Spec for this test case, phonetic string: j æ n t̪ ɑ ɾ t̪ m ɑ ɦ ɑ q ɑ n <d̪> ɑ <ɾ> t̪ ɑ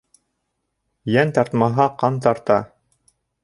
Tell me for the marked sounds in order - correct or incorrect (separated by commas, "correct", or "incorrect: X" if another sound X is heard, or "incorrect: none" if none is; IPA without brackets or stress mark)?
incorrect: t̪, correct